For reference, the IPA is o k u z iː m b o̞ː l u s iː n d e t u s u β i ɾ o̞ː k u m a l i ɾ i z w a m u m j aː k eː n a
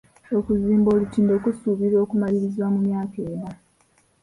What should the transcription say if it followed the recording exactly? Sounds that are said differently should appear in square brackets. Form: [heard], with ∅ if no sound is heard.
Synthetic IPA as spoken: o k u z iː m b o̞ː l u [t] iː n d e [k] u s u β i ɾ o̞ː k u m a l i ɾ i z w a m u m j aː k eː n a